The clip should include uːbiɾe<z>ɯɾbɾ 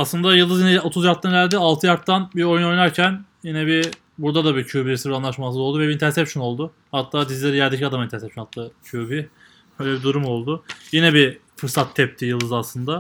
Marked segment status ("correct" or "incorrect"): incorrect